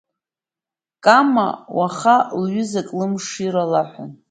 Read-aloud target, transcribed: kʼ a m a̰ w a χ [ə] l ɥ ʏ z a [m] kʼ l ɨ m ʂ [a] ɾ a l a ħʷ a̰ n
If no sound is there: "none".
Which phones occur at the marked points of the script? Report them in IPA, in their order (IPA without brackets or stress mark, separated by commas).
a, none, i